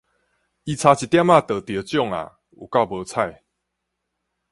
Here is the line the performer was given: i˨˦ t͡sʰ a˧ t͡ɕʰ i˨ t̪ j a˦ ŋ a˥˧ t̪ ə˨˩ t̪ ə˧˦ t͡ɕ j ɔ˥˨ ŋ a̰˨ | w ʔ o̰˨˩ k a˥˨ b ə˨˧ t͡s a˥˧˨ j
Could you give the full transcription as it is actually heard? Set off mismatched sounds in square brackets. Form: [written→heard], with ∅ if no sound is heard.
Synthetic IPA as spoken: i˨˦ t͡sʰ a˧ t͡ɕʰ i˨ t̪ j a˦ [ŋ→m] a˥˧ t̪ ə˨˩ t̪ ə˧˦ t͡ɕ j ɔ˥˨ ŋ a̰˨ | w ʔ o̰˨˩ k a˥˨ b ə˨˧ [t͡s→t͡sʰ] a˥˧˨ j